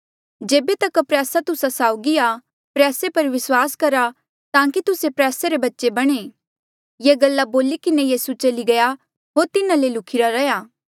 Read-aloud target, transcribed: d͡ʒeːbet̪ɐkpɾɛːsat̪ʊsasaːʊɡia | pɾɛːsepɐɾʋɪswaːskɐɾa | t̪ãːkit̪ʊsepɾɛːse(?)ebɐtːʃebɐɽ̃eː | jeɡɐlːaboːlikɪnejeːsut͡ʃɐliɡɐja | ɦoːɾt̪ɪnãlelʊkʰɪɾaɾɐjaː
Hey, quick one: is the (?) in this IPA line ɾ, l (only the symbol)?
ɾ